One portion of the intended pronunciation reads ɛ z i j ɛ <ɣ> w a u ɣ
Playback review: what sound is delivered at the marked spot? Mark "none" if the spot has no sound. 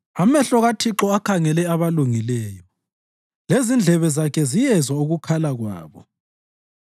z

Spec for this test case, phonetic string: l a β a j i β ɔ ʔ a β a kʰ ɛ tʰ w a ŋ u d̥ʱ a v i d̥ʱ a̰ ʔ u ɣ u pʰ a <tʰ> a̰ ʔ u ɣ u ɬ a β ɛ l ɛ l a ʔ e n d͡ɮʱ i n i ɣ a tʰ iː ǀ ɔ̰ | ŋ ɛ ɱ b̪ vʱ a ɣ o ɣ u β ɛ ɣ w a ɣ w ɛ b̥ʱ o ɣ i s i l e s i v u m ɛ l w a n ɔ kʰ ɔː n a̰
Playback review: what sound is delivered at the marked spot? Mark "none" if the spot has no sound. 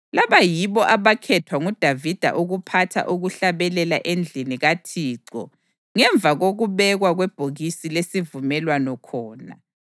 tʰ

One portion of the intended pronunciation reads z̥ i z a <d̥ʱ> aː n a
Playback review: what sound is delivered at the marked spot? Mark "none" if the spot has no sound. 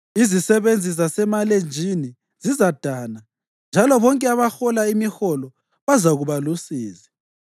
d̥ʱ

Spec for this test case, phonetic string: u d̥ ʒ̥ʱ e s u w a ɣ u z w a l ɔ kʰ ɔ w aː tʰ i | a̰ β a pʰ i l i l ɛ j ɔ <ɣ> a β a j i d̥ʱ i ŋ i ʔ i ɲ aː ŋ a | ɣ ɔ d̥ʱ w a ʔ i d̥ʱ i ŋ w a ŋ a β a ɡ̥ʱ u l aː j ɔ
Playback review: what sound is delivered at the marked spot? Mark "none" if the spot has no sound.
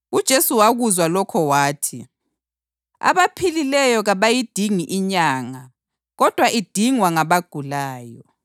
ɣ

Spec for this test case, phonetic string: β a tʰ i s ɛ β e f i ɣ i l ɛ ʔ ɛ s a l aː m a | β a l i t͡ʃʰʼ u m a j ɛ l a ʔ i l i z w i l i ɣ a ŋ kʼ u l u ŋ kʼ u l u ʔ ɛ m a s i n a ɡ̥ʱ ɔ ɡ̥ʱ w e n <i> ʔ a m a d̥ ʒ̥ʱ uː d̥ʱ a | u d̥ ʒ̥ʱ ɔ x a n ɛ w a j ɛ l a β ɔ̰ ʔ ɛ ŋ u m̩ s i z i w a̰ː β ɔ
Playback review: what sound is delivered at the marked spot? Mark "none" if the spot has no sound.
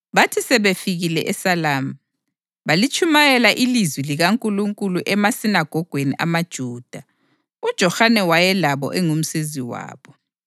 i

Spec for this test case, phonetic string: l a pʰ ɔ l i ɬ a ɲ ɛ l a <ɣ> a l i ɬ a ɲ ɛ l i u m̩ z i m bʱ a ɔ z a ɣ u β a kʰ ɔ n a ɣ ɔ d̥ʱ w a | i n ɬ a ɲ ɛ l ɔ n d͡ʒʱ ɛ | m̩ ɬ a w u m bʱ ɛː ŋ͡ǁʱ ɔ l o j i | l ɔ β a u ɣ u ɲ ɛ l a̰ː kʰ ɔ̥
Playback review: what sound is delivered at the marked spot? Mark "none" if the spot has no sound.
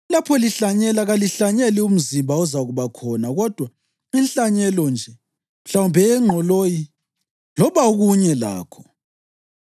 ɣ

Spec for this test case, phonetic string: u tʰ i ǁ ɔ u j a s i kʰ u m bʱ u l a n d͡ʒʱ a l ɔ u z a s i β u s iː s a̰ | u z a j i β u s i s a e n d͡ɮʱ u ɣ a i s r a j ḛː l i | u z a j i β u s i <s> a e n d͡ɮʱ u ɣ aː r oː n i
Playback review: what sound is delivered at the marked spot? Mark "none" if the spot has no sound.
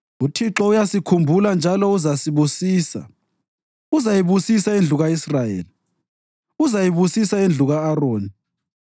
s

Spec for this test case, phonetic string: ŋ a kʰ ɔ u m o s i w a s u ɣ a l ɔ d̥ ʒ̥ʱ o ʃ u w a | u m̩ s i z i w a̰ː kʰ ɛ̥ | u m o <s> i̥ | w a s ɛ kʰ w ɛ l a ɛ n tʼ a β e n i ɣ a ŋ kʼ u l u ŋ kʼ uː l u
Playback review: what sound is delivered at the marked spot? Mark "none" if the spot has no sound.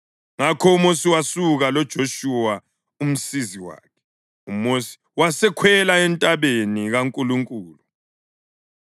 s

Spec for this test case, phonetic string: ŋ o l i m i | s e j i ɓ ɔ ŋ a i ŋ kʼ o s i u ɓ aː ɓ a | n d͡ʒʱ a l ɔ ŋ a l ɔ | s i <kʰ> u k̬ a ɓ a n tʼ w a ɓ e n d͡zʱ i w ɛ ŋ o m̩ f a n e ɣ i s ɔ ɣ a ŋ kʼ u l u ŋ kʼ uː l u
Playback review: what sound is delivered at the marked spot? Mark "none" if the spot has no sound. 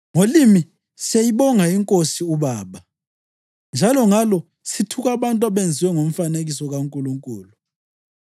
tʰ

